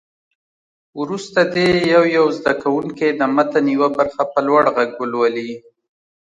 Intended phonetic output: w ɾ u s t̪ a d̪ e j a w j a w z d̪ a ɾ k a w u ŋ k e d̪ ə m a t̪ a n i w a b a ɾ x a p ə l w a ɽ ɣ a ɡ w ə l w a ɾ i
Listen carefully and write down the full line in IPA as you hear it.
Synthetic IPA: w ɾ u s t̪ a d̪ e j a w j a w z d̪ a k a w u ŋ k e d̪ ə m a t̪ a n i w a b a ɾ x a p ə l w a ɽ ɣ a ɡ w ə l w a l i